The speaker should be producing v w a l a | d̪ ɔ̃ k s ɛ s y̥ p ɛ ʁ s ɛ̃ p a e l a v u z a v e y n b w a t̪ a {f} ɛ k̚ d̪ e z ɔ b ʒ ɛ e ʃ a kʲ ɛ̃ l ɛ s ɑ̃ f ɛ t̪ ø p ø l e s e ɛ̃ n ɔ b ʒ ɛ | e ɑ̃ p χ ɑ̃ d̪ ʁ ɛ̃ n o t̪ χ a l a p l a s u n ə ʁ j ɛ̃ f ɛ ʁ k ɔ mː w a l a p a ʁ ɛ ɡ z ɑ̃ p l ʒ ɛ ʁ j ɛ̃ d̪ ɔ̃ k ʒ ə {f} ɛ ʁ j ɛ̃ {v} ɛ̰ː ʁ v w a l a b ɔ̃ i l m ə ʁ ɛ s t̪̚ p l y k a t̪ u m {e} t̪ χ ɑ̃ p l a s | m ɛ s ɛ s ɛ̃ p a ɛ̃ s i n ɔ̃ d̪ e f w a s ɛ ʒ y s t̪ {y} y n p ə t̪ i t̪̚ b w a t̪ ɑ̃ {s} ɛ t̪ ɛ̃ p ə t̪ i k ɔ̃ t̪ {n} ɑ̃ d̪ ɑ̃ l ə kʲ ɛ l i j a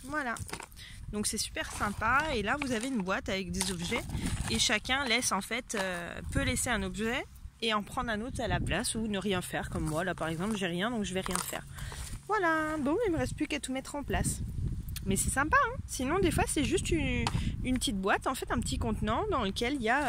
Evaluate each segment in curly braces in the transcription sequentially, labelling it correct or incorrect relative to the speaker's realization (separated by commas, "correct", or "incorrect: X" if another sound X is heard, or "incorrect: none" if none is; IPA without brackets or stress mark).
incorrect: v, incorrect: v, incorrect: f, incorrect: ɛ, correct, incorrect: f, correct